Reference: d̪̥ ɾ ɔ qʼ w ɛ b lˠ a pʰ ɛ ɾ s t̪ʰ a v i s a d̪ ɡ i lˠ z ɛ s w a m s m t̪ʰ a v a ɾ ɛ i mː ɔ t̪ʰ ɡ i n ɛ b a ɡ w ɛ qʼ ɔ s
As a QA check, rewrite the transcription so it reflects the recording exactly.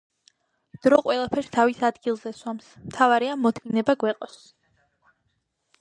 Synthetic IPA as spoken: d̪̥ ɾ ɔ qʼ w ɛ lˠ a pʰ ɛ ɾ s t̪ʰ a v i s a d̪ ɡ i lˠ z ɛ s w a m s m t̪ʰ a v a ɾ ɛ a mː ɔ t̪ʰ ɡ i n ɛ b a ɡ w ɛ qʼ ɔ s